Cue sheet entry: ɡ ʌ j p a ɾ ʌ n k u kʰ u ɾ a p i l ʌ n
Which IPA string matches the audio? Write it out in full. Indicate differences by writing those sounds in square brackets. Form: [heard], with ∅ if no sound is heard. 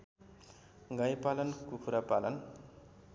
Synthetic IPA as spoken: ɡ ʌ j p a [l] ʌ n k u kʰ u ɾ a p [a] l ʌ n